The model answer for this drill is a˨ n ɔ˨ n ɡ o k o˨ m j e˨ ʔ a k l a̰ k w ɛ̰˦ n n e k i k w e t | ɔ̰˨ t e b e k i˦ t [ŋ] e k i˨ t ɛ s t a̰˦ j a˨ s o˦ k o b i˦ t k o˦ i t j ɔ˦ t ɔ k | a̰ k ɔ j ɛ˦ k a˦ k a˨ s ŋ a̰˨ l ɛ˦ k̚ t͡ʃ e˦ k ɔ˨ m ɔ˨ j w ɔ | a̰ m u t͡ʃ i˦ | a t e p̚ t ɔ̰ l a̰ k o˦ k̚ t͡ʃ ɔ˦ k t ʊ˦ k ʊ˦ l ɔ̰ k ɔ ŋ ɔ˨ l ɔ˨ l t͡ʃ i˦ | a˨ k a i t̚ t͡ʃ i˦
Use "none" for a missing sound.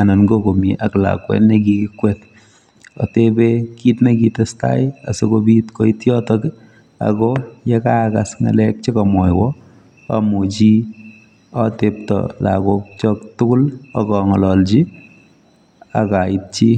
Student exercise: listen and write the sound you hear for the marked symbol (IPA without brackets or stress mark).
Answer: n